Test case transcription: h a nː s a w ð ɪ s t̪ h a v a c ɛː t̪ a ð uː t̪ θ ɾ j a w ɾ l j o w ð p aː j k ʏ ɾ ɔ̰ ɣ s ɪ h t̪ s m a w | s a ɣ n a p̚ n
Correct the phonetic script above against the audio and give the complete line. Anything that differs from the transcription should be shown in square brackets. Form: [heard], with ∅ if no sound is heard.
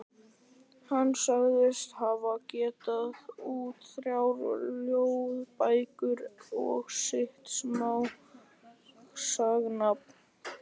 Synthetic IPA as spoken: h a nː s a [ɣ] ð ɪ s t̪ h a v a c ɛː t̪ a ð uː t̪ θ ɾ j a w ɾ l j o w ð p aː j k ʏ ɾ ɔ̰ ɣ s ɪ h t̪ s m a w | s a ɣ n a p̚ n